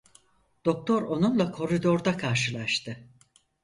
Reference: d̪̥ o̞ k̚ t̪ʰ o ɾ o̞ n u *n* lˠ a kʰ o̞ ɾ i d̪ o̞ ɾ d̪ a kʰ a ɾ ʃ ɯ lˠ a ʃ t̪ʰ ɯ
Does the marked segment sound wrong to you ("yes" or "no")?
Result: no